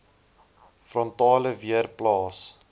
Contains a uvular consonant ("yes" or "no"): no